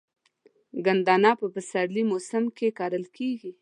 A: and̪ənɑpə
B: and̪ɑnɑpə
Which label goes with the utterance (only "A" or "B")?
B